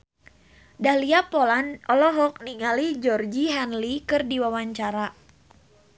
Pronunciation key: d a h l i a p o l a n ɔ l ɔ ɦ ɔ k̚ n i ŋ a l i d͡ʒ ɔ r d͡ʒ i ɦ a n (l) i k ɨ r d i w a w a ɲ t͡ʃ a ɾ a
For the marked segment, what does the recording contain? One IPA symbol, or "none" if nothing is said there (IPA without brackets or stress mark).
l